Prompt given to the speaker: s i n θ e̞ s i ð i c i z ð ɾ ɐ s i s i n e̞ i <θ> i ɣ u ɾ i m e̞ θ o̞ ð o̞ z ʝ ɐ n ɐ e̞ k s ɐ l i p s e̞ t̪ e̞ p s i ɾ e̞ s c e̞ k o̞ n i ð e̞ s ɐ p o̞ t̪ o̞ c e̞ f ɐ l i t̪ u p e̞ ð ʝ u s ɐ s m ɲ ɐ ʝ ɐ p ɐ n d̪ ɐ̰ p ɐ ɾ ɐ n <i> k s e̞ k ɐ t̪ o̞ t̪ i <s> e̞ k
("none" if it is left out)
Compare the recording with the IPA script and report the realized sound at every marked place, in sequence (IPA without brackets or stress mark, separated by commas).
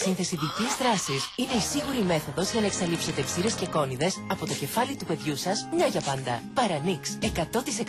s, i, s